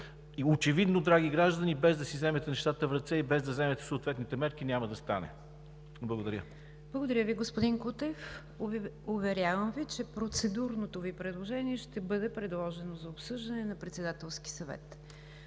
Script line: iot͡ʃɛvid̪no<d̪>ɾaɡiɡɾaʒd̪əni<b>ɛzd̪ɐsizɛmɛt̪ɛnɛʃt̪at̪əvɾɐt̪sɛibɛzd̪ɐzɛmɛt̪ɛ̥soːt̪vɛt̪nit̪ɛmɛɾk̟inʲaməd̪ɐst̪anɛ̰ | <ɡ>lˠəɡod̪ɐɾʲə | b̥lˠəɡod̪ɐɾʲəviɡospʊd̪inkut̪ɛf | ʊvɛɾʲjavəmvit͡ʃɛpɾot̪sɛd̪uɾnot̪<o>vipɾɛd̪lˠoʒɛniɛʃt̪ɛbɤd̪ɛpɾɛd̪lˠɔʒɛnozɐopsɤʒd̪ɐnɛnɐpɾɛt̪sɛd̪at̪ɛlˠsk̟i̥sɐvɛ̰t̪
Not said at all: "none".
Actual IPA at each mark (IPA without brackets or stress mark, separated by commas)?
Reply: d̪, b, b, o